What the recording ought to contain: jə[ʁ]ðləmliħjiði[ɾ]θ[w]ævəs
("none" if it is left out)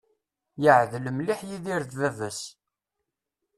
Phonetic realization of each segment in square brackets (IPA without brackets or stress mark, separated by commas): ʕ, ɾ, v